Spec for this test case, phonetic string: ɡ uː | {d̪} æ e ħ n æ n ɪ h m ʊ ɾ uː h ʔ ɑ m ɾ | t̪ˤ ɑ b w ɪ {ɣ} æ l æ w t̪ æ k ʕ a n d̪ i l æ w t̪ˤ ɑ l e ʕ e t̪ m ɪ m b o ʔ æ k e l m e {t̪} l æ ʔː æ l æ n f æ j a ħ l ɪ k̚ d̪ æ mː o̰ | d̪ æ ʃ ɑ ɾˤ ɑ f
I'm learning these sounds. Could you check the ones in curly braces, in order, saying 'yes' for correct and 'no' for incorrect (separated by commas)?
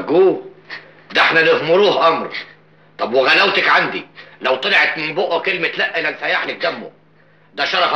yes, yes, yes